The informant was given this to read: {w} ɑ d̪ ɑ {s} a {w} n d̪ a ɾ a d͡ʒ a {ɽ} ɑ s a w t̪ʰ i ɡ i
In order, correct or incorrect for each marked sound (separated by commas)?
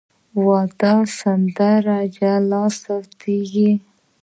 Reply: correct, correct, incorrect, incorrect